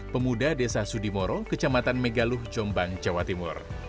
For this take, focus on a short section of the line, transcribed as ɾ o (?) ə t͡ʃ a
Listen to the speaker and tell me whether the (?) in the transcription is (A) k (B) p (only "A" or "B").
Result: A